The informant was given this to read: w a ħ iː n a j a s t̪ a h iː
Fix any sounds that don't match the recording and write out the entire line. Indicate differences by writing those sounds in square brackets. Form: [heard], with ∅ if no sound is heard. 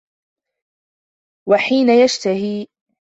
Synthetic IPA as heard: w a ħ iː n a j a [ʃ] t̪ a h iː